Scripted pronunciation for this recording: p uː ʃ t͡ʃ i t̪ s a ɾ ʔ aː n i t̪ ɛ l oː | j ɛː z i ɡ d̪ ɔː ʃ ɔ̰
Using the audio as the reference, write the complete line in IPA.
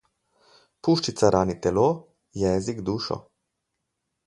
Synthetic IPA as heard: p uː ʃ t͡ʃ i t̪ s a ɾ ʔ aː n i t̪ ɛ l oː | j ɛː z i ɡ d̪ uː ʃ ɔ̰